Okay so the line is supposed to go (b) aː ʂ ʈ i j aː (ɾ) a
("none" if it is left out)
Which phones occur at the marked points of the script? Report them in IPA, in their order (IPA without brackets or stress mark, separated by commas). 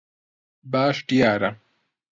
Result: b, ɾ